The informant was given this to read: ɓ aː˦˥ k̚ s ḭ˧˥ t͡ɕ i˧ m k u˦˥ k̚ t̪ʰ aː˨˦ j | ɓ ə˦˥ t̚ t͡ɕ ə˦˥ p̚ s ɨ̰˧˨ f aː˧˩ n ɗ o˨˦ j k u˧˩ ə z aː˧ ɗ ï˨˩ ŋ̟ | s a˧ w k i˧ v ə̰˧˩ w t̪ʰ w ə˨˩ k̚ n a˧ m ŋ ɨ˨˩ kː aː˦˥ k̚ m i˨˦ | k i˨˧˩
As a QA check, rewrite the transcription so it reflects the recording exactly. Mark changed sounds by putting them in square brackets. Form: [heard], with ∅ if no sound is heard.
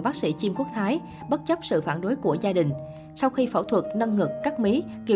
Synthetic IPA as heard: ɓ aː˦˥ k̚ s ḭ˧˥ t͡ɕ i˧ m k u˦˥ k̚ t̪ʰ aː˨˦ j | ɓ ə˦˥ t̚ t͡ɕ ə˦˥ p̚ s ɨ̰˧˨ f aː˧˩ n ɗ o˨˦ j k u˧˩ ə z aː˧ ɗ ï˨˩ ŋ̟ | s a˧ w [x] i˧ [f] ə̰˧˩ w t̪ʰ w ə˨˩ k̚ n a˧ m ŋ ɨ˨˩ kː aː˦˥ k̚ m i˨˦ | k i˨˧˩